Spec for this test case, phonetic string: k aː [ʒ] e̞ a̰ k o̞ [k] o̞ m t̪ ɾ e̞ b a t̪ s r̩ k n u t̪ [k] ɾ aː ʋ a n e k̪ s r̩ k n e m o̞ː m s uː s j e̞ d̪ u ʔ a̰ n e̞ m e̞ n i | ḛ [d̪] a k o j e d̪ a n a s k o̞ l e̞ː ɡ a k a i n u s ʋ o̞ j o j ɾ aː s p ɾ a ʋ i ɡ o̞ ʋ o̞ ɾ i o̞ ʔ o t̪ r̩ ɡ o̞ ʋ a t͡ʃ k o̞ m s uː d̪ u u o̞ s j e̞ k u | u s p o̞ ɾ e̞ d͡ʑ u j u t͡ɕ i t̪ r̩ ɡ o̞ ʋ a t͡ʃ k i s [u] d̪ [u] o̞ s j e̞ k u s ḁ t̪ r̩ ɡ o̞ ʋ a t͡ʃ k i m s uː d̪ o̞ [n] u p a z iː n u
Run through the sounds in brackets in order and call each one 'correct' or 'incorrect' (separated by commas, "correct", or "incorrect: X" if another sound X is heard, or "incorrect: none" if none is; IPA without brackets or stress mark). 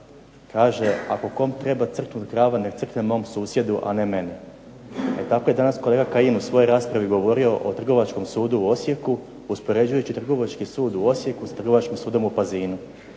correct, correct, correct, incorrect: t̪, incorrect: uː, correct, incorrect: m